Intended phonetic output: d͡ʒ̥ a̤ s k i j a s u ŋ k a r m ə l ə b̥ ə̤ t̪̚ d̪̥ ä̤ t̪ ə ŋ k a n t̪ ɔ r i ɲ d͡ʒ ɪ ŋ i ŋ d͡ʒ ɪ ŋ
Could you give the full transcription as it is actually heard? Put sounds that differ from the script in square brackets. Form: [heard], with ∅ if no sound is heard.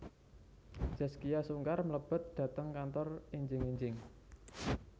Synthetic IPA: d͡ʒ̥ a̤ s k i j a s u ŋ k a r m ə l ə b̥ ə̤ t̪̚ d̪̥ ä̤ t̪ ə ŋ k a n t̪ ɔ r i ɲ d͡ʒ ɪ ŋ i [ɲ] d͡ʒ ɪ ŋ